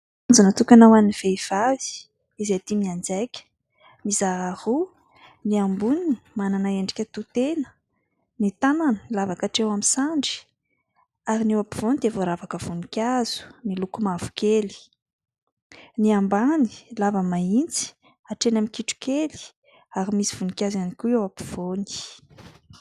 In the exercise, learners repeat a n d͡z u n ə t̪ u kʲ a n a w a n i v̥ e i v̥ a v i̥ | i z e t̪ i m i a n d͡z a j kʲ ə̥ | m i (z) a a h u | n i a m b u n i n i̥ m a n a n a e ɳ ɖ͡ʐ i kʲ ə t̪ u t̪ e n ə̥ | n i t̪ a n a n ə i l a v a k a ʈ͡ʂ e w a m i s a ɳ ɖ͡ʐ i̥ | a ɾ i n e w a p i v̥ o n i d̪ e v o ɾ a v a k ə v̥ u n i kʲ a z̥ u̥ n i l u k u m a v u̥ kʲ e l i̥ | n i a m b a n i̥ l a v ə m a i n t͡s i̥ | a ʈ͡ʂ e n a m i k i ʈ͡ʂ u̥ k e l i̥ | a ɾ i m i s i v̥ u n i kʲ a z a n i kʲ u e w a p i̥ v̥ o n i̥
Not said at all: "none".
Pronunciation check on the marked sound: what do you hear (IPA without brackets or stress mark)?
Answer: z